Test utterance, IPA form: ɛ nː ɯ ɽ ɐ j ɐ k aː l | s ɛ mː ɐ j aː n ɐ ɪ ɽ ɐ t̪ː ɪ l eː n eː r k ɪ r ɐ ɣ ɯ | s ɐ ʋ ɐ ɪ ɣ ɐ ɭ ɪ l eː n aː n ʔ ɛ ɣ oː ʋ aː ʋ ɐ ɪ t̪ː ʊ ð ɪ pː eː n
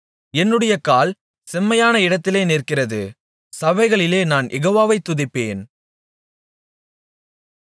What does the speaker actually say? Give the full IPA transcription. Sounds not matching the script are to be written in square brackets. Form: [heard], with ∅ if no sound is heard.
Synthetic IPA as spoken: ɛ nː ɯ ɽ ɐ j ɐ k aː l | s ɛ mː ɐ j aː n ɐ ɪ ɽ ɐ t̪ː ɪ l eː n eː r k ɪ r ɐ [ð] ɯ | s ɐ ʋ ɐ ɪ ɣ ɐ ɭ ɪ l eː n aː n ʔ ɛ ɣ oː ʋ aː ʋ ɐ ɪ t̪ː ʊ ð ɪ pː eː n